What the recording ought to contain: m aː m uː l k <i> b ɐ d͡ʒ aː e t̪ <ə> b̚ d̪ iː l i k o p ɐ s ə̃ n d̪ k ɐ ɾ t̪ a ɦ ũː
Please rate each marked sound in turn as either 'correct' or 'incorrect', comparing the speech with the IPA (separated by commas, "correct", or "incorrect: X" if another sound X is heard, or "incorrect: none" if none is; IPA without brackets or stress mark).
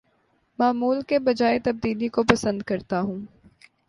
incorrect: e, incorrect: ɐ